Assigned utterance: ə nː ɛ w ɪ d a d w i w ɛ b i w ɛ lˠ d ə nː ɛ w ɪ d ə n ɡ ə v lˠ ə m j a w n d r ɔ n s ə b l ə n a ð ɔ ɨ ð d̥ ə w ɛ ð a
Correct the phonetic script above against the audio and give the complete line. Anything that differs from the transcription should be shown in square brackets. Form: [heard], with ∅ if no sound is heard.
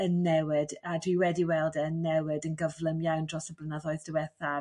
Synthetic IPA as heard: ə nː ɛ w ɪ d a d w i w ɛ [d] i w ɛ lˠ d ə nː ɛ w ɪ d ə n ɡ ə v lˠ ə m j a w n d r ɔ [∅] s ə b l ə n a ð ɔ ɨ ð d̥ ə w ɛ [θ] a